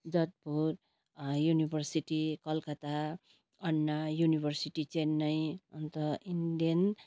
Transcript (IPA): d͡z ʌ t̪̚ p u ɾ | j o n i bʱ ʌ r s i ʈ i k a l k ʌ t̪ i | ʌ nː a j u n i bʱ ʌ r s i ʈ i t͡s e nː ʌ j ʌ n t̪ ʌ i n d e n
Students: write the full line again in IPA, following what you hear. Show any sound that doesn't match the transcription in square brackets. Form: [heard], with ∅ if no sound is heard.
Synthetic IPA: d͡z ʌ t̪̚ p u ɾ | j [u] n i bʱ ʌ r s i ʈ i k [ʌ] l k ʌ t̪ [a] | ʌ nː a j u n i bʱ ʌ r s i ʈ i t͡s e nː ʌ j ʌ n t̪ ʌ i n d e n